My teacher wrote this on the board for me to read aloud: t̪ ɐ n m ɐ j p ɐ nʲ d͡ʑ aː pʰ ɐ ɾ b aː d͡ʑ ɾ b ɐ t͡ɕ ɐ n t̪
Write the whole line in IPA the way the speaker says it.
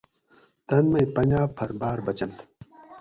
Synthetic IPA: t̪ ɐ n m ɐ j p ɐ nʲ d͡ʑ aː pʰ ɐ ɾ b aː ɾ b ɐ t͡ɕ ɐ n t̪

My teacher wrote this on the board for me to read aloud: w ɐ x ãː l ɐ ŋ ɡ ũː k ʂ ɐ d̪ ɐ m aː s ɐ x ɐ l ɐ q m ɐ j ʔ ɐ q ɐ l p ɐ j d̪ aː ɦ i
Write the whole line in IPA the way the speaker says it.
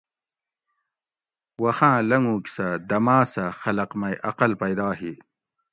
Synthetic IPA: w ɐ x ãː l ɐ ŋ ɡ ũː k s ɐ d̪ ɐ m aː s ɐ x ɐ l ɐ q m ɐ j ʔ ɐ q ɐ l p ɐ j d̪ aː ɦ i

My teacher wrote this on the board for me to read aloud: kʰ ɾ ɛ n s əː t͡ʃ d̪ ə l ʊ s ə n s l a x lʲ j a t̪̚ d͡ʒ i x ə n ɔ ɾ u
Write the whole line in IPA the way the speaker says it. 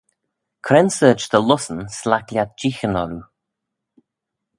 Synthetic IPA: kʰ ɾ ɛ n s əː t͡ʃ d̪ ə l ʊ s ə n s l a k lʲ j a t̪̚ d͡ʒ i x ə n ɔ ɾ u

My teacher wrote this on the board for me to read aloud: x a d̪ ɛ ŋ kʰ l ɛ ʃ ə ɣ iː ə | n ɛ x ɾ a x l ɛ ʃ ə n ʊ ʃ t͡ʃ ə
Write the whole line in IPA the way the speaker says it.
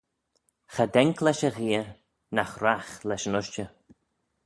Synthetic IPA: x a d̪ ɛ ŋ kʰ l ɛ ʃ ə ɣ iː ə | n a x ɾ a x l ɛ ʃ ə n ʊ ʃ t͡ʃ ə

